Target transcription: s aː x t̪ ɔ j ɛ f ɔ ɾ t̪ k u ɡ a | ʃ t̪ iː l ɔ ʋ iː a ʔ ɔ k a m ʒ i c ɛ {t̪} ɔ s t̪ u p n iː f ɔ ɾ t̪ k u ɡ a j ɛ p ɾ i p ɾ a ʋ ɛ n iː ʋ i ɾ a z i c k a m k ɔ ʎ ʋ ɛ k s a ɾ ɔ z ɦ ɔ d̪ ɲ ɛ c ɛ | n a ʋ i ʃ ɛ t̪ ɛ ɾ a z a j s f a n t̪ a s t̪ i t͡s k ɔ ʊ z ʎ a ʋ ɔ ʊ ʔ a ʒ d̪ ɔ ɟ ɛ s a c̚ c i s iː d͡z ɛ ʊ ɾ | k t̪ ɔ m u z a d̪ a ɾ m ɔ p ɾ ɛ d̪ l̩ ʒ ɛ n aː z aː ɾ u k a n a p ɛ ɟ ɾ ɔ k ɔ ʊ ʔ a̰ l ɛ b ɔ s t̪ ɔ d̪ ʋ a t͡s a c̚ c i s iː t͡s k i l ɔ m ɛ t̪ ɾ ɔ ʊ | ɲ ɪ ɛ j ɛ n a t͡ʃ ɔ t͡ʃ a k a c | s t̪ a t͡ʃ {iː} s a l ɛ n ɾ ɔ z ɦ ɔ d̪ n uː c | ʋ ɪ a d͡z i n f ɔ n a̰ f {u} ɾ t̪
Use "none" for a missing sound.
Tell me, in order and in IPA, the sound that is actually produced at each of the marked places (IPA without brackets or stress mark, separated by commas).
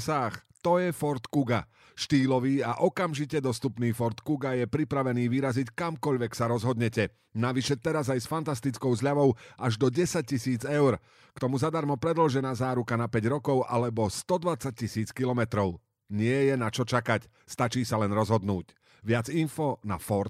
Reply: d̪, iː, ɔ